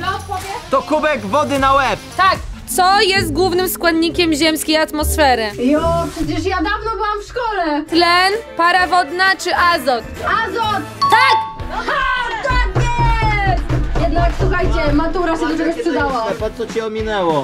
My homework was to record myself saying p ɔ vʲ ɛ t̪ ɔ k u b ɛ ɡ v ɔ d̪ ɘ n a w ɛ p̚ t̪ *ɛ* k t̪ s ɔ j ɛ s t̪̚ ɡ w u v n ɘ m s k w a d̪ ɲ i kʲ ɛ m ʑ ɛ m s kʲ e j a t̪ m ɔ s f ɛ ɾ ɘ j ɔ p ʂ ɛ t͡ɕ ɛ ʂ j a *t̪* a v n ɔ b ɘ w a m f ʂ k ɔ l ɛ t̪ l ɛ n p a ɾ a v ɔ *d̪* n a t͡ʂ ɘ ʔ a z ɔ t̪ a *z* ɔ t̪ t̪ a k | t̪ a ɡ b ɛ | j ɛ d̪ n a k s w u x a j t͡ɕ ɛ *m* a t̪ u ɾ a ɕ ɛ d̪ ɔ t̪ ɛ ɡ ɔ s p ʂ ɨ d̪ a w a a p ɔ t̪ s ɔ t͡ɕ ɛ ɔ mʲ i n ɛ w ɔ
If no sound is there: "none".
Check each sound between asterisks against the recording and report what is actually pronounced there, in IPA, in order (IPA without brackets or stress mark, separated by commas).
a, d̪, d̪, z, m